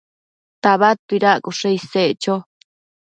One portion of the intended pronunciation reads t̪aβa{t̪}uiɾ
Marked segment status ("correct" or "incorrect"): correct